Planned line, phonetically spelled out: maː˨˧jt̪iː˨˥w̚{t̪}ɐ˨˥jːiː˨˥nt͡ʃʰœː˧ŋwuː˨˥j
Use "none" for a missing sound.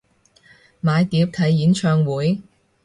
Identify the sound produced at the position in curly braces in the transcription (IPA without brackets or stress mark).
t̪ʰ